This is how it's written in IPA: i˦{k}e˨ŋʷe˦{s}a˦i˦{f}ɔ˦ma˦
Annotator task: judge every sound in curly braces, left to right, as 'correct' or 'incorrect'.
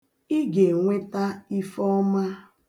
incorrect: ɡ, incorrect: t, correct

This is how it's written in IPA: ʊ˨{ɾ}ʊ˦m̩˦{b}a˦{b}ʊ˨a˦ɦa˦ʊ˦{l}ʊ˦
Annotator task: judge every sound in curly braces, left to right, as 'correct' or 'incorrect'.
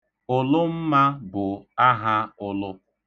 incorrect: l, incorrect: m, correct, correct

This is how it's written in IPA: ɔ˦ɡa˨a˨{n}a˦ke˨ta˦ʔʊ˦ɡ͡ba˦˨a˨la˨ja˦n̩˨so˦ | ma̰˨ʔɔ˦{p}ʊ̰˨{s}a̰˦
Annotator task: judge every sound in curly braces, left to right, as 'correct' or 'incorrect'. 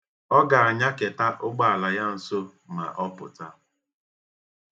incorrect: ɲ, correct, incorrect: t

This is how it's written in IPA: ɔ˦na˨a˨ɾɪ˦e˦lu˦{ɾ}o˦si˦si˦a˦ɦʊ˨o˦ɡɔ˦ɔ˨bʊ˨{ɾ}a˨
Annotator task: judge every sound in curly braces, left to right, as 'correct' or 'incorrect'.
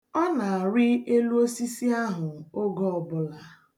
incorrect: none, incorrect: l

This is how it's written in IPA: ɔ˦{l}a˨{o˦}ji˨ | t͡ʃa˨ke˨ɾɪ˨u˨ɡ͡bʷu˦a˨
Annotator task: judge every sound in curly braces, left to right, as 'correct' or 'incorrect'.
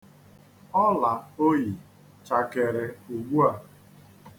correct, correct

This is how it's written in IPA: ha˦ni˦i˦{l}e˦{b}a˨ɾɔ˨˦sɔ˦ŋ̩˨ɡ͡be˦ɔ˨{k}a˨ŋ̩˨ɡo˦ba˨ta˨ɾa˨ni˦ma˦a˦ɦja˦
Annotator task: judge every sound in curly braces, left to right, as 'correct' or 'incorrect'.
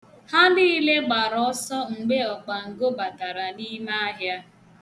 correct, incorrect: ɡ͡b, incorrect: k͡p

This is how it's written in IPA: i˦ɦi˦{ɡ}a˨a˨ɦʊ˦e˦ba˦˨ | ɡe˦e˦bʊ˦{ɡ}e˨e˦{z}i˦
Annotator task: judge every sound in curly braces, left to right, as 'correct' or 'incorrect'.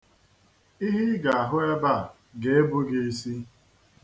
correct, correct, incorrect: s

